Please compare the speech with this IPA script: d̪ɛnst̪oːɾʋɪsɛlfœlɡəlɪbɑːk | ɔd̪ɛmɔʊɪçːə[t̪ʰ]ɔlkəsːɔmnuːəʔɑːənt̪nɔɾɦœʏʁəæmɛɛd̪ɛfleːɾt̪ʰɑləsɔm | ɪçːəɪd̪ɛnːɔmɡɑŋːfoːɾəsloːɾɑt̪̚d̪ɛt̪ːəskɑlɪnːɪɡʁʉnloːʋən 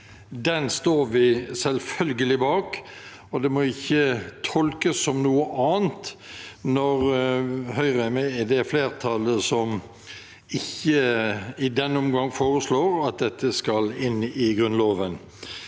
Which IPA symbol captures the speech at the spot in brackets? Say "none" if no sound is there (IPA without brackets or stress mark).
t̪ʰ